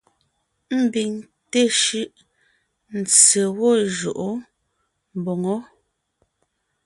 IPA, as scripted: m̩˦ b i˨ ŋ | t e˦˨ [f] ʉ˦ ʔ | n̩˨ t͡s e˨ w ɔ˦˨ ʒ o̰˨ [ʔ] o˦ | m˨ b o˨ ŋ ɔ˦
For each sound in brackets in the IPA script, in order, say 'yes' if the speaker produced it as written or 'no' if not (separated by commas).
no, yes